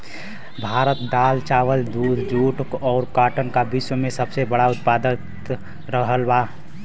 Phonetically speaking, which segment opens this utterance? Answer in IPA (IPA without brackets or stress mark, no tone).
bʱ